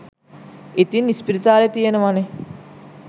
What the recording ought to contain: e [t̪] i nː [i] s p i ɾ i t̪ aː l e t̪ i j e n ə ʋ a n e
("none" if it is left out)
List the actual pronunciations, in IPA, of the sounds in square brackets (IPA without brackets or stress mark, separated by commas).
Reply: t̪, i